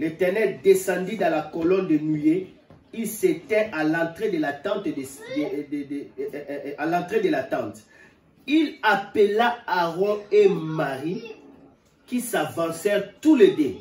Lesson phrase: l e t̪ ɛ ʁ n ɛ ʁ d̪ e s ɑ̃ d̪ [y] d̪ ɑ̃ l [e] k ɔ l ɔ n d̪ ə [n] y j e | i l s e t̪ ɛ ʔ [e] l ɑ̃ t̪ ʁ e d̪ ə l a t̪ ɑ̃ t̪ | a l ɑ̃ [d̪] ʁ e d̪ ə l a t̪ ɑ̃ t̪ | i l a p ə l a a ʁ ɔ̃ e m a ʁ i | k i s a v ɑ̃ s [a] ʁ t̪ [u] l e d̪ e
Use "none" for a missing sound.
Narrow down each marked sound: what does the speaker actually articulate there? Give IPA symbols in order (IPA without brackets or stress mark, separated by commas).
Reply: i, a, n, a, t̪, ɛ, u